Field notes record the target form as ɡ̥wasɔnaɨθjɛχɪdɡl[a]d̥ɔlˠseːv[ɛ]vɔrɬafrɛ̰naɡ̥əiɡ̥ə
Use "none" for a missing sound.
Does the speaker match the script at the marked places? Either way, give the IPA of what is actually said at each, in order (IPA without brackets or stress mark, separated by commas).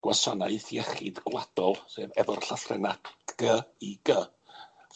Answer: a, ɛ